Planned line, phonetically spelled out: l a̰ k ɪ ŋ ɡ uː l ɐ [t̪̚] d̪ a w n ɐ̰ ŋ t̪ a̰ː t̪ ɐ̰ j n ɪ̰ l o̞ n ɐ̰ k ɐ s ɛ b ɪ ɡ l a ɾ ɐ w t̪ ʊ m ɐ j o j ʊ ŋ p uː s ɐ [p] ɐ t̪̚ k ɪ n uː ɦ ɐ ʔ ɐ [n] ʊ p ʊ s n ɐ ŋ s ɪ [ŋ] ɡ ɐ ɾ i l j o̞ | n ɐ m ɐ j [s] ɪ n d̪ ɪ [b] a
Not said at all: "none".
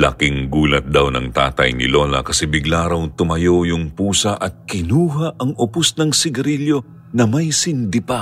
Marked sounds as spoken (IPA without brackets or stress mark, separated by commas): t̪̚, ʔ, ŋ, none, s, p